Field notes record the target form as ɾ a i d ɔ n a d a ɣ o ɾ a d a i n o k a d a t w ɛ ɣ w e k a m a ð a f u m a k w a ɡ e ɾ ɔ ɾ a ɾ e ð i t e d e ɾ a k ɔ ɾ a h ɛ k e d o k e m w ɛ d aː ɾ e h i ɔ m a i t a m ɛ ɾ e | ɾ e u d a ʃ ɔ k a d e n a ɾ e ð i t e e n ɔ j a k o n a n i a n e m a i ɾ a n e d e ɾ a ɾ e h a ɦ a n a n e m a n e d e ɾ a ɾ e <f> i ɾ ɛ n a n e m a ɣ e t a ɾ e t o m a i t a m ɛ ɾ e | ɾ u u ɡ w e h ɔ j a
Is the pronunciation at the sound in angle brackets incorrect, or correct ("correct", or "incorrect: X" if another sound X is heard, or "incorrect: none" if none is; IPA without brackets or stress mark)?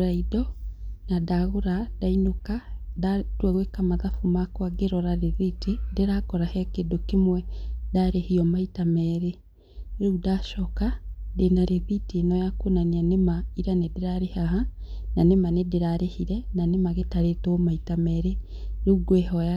incorrect: h